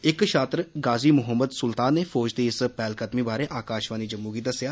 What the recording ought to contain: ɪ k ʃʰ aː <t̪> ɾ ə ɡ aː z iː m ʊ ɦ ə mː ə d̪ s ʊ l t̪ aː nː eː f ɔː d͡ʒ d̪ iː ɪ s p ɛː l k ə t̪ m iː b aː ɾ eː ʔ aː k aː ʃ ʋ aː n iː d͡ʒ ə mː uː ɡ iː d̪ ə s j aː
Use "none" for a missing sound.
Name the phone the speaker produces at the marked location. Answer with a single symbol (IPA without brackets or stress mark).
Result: t̪